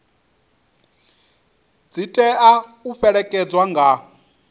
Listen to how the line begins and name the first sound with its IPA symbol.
d͡z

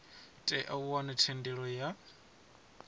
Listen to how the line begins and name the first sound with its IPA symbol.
tʼ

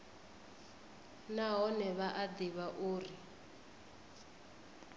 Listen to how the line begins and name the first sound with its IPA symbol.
n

